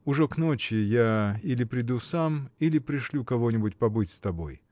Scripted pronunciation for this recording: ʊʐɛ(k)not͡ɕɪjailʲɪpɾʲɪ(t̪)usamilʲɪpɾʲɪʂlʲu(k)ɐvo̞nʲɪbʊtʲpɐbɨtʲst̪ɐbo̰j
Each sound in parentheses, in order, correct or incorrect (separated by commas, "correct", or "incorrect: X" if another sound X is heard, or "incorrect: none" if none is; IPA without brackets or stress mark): correct, incorrect: d̪, correct